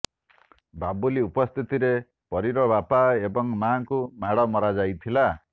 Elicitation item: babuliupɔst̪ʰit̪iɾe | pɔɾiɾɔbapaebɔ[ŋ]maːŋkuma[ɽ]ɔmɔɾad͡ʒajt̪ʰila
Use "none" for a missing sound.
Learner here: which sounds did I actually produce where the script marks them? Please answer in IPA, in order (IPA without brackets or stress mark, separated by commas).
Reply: ŋ, ɽ